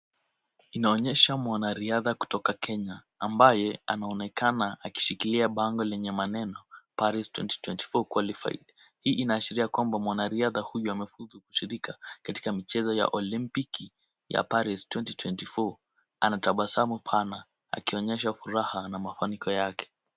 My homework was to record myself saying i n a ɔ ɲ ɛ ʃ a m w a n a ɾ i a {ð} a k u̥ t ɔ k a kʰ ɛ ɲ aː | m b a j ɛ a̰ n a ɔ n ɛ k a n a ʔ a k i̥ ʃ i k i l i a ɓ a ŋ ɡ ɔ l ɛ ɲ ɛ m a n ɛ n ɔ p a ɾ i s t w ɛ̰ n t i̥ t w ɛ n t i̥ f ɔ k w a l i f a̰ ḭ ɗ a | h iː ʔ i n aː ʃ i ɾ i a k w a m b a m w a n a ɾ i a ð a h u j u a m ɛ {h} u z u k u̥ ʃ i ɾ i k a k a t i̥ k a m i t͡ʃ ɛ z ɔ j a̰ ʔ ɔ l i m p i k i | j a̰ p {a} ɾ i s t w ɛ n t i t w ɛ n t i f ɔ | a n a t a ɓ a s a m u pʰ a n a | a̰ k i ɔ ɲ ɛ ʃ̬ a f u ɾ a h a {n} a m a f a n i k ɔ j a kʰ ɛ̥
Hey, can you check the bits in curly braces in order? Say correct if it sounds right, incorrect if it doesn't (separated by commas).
correct, incorrect, correct, correct